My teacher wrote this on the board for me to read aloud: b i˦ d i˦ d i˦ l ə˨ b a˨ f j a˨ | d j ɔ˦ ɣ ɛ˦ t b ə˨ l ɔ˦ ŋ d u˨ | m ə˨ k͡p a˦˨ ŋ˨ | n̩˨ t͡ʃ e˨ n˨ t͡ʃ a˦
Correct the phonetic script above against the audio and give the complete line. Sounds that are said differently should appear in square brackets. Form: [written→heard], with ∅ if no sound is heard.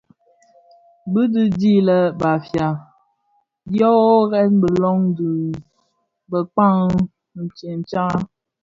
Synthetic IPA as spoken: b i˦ d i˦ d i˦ l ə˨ b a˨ f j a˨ | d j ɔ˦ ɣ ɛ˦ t b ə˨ l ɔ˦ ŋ d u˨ | [m→b] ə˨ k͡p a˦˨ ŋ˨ | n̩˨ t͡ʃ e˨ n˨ t͡ʃ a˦